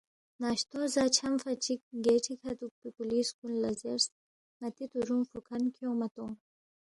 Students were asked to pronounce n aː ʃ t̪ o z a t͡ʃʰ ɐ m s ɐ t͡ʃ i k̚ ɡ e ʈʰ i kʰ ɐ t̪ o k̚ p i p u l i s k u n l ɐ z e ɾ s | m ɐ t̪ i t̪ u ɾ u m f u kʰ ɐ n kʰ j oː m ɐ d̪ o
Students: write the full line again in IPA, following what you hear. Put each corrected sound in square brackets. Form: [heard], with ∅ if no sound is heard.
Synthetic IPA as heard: n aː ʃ t̪ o z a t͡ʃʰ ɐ m [f] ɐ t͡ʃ i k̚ ɡ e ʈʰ i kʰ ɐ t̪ [u] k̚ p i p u l i s k u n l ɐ z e ɾ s | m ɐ t̪ i t̪ u ɾ u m f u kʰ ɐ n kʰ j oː m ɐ [t̪] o